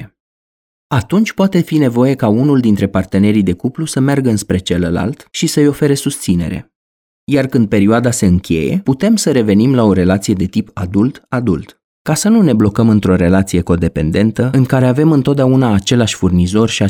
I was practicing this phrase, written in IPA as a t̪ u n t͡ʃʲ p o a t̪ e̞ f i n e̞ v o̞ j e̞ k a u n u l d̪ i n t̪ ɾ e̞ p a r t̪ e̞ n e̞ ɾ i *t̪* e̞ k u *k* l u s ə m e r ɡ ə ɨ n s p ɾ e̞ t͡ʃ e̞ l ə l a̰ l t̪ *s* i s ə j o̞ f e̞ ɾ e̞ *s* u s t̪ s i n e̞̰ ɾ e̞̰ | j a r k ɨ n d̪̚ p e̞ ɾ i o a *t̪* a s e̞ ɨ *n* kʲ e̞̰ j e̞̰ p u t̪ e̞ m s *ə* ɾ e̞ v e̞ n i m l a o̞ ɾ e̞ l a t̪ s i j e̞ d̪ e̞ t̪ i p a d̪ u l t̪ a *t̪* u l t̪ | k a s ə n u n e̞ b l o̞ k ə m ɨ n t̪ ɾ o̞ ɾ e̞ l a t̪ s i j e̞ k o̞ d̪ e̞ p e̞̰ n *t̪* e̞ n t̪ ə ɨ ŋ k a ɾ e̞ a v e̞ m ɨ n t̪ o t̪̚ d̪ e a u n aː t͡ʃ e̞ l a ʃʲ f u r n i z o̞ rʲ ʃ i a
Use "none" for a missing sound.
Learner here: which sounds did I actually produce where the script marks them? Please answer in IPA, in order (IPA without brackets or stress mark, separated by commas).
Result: d̪, p, ʃ, s, d̪, ŋ, ə, d̪, d̪